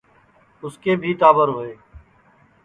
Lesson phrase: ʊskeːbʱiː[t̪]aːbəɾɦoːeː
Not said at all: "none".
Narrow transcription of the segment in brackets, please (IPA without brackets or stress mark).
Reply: t̪